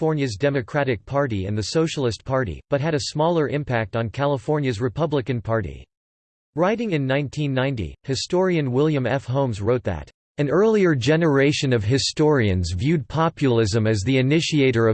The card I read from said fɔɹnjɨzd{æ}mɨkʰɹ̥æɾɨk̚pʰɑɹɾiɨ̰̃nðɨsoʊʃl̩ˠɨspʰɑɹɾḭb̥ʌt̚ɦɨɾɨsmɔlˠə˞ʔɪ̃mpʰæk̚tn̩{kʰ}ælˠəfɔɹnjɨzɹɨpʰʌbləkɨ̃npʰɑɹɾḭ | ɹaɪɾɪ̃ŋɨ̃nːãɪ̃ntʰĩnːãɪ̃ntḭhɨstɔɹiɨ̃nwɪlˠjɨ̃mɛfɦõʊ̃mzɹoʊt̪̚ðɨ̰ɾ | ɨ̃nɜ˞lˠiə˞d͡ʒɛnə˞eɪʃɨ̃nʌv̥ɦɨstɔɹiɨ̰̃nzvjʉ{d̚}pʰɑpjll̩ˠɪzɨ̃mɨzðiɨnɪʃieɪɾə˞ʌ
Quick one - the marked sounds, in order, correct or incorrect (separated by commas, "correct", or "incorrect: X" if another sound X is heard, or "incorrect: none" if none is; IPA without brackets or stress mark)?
incorrect: ɛ, correct, correct